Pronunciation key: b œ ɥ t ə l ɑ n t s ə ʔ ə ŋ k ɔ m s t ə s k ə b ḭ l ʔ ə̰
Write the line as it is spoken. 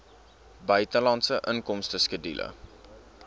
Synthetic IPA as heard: b œ ɥ t ə l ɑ n t s ə ʔ ə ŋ k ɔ m s t ə s k ə d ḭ l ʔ ə̰